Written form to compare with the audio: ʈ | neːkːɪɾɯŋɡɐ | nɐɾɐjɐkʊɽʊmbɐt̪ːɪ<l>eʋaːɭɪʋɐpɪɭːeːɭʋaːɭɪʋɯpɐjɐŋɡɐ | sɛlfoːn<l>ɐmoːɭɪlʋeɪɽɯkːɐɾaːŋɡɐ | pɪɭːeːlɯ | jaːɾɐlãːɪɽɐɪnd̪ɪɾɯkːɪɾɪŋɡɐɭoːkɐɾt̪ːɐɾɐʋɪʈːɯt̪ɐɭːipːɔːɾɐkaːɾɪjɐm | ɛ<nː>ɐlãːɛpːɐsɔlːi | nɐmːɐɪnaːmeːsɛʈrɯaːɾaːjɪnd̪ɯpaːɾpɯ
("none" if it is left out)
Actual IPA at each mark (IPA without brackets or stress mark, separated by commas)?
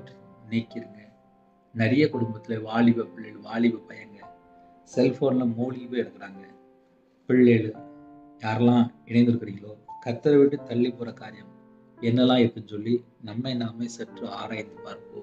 l, l, nː